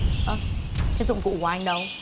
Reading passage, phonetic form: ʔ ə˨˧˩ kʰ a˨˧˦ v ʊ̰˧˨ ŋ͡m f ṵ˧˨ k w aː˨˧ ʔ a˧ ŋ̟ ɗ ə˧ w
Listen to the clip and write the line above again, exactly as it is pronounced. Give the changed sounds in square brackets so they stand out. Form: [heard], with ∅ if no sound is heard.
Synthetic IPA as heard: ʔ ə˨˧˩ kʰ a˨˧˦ [z] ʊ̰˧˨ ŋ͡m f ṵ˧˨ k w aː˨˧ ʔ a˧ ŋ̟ ɗ ə˧ w